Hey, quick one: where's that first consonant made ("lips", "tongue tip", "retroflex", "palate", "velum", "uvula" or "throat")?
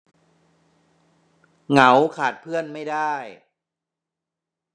velum